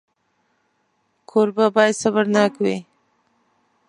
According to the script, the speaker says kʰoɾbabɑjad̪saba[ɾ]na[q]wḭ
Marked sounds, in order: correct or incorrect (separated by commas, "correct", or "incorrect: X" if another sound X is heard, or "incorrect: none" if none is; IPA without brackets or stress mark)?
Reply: correct, incorrect: k